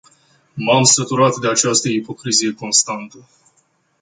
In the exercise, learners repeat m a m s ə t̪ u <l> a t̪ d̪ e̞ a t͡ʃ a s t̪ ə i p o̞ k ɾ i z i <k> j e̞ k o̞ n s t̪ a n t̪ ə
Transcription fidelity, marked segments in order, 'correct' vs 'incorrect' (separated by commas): incorrect, incorrect